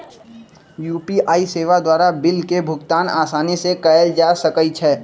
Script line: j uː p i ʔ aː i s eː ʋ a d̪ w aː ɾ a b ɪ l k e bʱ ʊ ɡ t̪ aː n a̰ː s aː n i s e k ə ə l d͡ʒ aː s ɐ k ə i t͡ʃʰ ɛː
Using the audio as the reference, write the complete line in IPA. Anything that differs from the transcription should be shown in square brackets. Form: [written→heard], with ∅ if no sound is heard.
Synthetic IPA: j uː p i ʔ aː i s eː ʋ a d̪ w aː ɾ a b ɪ l k e bʱ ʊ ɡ t̪ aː n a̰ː s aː n i s e k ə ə l d͡ʒ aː s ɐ k ə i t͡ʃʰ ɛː